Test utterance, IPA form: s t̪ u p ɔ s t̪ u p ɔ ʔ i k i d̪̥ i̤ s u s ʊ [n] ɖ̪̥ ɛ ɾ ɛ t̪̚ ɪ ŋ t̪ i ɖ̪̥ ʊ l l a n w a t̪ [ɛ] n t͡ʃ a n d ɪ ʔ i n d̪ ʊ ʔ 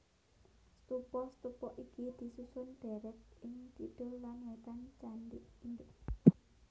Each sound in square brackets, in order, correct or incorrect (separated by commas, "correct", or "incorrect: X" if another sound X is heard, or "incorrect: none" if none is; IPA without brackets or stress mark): correct, incorrect: a